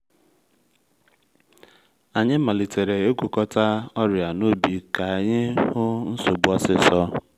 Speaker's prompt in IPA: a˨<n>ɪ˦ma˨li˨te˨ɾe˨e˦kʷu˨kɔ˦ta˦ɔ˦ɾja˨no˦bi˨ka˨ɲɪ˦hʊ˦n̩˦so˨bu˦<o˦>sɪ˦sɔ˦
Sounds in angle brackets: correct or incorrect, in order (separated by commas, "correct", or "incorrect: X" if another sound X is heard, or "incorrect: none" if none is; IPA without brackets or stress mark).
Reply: incorrect: ɲ, incorrect: ɔ˦